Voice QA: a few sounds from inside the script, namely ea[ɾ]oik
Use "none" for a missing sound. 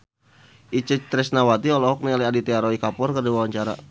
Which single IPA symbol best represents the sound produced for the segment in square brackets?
ɾ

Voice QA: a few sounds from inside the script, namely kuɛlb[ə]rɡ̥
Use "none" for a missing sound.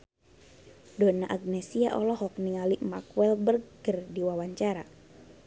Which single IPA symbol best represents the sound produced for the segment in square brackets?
ə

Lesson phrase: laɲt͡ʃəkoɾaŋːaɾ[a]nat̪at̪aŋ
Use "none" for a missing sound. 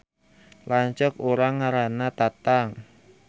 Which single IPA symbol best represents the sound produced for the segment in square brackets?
a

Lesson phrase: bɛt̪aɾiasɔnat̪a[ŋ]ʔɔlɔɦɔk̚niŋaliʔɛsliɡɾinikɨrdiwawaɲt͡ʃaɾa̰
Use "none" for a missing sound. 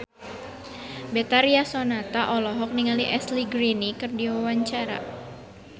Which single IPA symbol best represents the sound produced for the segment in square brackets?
none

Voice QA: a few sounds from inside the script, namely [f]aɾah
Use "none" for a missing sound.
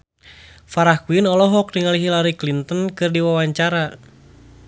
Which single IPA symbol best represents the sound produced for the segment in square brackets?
f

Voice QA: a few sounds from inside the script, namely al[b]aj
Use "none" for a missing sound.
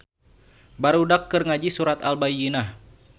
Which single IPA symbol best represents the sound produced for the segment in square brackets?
b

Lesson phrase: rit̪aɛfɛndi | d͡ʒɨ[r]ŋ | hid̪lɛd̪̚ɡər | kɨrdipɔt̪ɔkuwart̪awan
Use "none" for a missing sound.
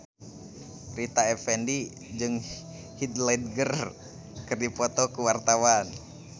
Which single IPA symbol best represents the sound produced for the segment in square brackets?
none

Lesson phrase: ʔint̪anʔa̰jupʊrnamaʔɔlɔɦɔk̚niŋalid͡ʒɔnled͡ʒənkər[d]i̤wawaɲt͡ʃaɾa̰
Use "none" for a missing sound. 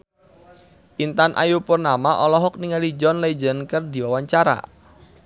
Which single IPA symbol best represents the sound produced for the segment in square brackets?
d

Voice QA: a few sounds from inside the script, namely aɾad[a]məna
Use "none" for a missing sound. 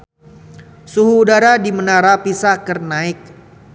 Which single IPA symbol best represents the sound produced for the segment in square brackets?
i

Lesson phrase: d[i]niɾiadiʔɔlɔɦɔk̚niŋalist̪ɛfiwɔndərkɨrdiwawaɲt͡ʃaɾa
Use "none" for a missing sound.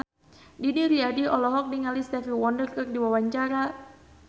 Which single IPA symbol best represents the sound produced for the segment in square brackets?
i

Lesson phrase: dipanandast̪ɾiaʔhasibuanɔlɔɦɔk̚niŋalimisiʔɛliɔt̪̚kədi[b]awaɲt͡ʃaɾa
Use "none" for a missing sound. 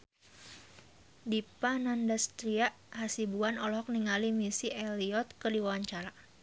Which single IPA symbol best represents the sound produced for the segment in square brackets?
w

